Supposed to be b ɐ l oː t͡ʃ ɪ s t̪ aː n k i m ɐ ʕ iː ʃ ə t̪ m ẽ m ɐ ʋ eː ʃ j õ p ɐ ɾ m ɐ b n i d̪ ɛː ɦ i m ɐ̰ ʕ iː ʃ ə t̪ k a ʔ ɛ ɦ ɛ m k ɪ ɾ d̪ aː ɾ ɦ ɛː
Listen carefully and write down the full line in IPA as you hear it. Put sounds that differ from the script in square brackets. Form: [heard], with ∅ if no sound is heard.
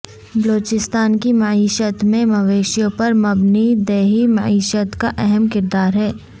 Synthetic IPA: b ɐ l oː t͡ʃ ɪ s t̪ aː n k i m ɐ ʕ iː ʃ ə t̪ m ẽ m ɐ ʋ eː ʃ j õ p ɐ ɾ m ɐ b n i d̪ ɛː ɦ i m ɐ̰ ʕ iː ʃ ə t̪ k a ʔ ɛ ɦ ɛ m k ɪ ɾ d̪ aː ɾ ɦ ɛː

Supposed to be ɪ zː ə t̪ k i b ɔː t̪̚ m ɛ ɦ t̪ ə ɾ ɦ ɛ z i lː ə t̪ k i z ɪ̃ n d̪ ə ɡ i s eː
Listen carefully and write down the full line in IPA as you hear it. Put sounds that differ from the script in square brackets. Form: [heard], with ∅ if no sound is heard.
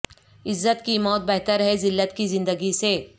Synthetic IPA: ɪ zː ə t̪ k i [m] ɔː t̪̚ [b] ɛ ɦ t̪ ə ɾ ɦ ɛ z [ɪ] lː ə t̪ k i z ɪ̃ n d̪ ə ɡ i s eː

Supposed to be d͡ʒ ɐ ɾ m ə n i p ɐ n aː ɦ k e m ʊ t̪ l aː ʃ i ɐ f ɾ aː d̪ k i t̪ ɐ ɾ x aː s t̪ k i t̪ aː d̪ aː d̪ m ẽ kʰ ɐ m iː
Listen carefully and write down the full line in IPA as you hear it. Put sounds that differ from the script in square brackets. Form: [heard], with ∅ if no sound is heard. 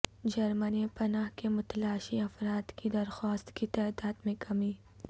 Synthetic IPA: d͡ʒ ɐ ɾ m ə n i p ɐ n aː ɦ k e m ʊ t̪ l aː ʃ i ɐ f ɾ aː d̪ k i [d̪] ɐ ɾ x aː s t̪ k i t̪ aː d̪ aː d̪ m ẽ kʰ ɐ m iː

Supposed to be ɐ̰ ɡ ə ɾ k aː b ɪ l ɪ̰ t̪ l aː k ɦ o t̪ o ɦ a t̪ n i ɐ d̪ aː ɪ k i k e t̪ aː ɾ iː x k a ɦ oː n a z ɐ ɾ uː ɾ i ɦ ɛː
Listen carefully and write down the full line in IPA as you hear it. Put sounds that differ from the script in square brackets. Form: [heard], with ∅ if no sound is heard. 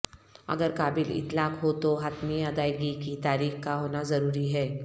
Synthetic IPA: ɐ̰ ɡ ə ɾ k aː b ɪ l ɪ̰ t̪ l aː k ɦ o t̪ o ɦ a t̪ [m] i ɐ d̪ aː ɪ [ɡ] i k [i] t̪ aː ɾ iː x k a ɦ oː n a z ɐ ɾ uː ɾ i ɦ ɛː

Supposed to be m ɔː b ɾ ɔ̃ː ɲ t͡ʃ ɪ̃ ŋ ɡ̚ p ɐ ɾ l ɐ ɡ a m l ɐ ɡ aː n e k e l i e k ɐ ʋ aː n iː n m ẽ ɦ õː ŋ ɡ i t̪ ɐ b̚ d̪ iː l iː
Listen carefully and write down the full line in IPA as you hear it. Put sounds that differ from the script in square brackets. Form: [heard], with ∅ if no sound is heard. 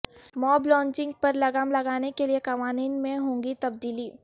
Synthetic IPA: m ɔː b [l] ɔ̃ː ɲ t͡ʃ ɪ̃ ŋ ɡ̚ p ɐ ɾ l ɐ ɡ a m l ɐ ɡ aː n e k e l i e k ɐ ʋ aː n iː n m ẽ ɦ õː ŋ ɡ i t̪ ɐ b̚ d̪ iː l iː

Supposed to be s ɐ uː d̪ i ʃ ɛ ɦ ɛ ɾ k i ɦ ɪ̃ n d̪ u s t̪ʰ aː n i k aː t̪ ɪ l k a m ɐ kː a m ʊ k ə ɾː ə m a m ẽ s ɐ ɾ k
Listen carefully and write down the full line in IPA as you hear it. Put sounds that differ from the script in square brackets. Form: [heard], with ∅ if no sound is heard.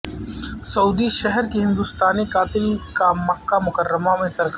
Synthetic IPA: s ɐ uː d̪ i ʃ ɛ ɦ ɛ ɾ k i ɦ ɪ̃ n d̪ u s [t̪] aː n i k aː t̪ ɪ l k a m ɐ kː a m ʊ k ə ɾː ə m a m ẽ s ɐ ɾ k

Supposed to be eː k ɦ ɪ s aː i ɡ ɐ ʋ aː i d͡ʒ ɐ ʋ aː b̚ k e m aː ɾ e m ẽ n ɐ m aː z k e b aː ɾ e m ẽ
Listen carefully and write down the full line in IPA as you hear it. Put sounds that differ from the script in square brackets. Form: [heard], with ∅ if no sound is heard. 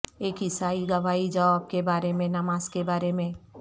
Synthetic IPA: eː k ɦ ɪ s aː i ɡ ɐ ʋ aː i d͡ʒ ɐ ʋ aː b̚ k e [b] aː ɾ e m ẽ n ɐ m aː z k e b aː ɾ e m ẽ

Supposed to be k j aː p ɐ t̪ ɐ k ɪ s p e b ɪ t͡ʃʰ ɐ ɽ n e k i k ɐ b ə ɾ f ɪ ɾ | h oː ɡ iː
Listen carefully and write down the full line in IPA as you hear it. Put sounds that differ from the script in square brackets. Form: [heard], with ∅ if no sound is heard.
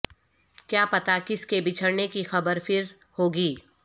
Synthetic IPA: k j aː p ɐ t̪ [a] k ɪ s [k] e b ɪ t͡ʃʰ [ə] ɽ n e k i [x] ɐ b ə ɾ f ɪ ɾ | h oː ɡ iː

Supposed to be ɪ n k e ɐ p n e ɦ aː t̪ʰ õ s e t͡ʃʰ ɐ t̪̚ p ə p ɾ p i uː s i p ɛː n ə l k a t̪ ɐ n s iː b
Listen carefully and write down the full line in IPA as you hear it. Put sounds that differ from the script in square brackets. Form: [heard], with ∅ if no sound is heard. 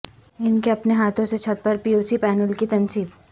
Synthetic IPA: ɪ n k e ɐ p n e ɦ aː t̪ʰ õ s e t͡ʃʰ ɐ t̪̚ p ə [∅] ɾ p i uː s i p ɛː n ə l k [i] t̪ ɐ n s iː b

